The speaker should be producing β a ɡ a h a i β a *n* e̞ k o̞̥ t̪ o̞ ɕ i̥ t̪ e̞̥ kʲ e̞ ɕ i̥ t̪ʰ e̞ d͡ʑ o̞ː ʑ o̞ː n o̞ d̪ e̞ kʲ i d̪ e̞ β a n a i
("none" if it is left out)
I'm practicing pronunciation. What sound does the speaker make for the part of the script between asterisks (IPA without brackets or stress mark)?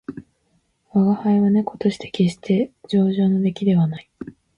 n